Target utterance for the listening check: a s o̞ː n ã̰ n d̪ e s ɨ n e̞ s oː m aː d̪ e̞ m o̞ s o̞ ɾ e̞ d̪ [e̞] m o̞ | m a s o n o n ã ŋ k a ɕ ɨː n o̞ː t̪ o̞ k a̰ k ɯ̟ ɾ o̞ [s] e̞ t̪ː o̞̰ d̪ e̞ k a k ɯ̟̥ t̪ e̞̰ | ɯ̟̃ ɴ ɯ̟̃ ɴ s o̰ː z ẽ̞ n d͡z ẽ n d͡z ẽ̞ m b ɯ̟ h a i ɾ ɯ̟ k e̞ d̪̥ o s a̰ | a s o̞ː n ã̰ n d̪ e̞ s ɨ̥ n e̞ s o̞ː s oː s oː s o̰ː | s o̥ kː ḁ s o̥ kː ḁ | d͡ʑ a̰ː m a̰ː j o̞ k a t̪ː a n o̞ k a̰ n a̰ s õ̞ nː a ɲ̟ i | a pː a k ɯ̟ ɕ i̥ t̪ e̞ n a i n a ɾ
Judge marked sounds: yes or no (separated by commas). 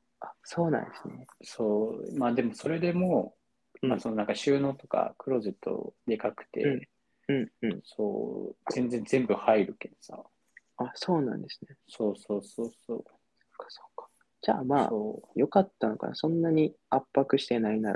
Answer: yes, no